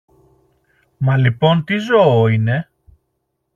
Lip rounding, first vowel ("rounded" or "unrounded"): unrounded